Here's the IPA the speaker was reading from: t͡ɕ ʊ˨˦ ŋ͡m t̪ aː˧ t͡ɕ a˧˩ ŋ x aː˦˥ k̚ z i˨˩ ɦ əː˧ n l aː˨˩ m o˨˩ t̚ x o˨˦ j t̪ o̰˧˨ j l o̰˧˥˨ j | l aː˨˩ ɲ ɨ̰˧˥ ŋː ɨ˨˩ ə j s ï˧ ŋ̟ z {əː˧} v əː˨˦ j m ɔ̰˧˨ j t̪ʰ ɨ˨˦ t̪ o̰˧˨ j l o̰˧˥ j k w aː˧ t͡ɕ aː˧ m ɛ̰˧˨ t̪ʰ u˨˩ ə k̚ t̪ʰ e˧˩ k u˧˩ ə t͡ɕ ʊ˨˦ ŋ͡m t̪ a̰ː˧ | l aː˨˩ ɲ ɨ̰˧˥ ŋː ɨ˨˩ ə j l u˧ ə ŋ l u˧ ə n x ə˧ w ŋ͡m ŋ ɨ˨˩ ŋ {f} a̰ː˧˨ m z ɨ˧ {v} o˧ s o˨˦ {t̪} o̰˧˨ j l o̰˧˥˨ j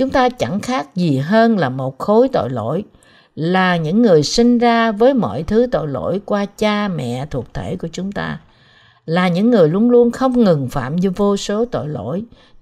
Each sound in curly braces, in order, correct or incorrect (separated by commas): incorrect, correct, correct, correct